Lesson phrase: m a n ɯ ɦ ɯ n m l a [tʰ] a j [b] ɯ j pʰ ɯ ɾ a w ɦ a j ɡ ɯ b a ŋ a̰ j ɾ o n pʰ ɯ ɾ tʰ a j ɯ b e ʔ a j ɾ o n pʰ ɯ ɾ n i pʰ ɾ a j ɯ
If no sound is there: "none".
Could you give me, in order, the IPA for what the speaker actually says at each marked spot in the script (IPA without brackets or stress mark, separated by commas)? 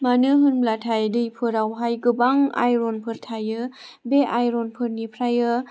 tʰ, d